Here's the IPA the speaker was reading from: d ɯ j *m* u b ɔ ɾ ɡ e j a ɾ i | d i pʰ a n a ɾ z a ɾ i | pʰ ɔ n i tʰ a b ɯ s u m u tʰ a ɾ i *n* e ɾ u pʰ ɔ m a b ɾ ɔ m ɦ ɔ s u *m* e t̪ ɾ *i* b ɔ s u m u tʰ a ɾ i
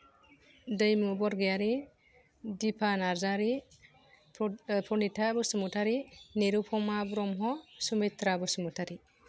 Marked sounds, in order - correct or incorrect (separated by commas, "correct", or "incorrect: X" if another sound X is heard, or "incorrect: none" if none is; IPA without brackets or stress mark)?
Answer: correct, correct, correct, incorrect: a